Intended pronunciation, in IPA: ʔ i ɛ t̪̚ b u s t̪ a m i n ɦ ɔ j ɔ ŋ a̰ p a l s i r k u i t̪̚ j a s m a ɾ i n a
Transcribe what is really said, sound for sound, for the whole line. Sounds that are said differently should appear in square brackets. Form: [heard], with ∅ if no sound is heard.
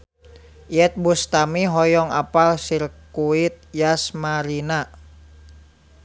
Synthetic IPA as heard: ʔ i ɛ t̪̚ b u s t̪ a m i [∅] ɦ ɔ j ɔ ŋ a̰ p a l s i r k u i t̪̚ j a s m a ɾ i n a